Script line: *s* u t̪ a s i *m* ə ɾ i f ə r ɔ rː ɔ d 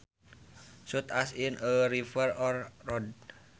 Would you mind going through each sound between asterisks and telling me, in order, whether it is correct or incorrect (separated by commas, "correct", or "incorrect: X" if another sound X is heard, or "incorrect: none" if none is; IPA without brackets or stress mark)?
correct, incorrect: n